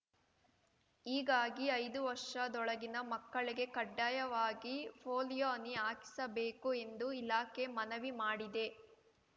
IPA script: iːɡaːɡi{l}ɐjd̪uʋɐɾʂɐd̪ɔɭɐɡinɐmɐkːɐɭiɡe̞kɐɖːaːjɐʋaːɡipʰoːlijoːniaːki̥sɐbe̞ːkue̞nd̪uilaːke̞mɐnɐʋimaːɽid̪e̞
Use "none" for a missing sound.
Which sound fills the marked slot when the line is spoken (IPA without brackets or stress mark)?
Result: none